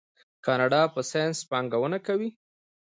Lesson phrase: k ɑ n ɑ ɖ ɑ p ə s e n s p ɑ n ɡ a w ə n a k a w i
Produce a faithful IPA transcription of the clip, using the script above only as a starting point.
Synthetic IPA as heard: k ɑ n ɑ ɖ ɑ p ə s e n s p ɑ ŋ ɡ a w ə n a k a w i